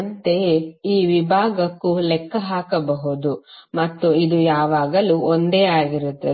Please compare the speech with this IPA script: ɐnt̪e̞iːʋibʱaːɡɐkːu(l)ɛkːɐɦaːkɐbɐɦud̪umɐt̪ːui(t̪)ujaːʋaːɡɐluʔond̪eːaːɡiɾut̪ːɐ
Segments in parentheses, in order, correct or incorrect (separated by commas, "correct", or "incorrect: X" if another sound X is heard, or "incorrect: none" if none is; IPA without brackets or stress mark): correct, incorrect: d̪